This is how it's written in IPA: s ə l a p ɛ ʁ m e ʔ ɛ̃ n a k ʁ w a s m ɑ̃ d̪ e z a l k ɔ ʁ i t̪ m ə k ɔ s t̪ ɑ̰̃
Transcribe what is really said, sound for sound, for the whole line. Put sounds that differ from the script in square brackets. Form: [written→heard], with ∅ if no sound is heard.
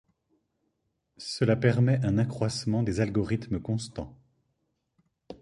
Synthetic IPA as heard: s ə l a p ɛ ʁ m [e→ɛ] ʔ ɛ̃ n a k [ʁ→χ] w a s m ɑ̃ d̪ e z a l [k→ɡ] ɔ ʁ i t̪ m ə k [ɔ→ɔ̃] s t̪ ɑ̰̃